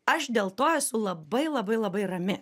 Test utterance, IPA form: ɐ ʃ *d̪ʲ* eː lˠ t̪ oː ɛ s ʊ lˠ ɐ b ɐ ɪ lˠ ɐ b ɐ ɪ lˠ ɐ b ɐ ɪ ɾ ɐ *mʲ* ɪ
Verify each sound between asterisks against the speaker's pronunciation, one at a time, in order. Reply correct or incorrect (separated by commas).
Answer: correct, correct